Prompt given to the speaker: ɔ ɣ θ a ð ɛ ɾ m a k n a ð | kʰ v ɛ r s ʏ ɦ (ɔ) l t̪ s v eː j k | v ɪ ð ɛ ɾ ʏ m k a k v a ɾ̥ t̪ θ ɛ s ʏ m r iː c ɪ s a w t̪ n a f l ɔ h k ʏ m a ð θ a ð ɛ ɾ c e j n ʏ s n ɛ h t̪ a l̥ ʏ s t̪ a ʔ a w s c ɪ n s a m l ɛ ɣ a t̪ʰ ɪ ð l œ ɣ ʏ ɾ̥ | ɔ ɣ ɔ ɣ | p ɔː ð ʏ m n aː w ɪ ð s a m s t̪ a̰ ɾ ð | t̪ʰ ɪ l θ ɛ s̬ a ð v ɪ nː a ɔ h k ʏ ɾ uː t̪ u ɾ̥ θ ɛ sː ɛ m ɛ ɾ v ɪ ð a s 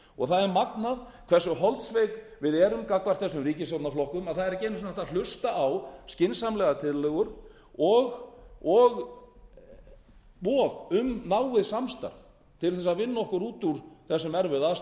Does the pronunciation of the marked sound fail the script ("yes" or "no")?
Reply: no